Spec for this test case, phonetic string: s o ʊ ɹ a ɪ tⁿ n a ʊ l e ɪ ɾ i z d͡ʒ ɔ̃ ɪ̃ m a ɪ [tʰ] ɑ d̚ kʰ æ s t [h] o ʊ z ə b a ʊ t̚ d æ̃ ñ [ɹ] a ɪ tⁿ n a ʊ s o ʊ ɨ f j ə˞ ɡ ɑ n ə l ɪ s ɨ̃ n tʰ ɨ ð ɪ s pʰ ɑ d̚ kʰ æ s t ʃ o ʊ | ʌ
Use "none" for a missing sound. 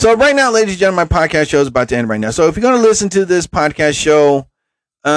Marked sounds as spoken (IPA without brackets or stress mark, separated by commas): pʰ, ʃ, ɹ